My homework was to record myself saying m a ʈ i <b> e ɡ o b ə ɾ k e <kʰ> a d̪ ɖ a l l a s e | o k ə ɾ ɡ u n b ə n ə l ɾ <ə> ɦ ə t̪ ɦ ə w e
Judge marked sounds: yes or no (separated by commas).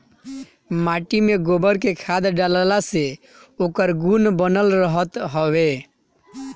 no, yes, yes